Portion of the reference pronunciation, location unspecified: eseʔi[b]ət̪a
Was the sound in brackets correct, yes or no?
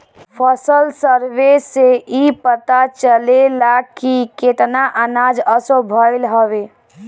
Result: no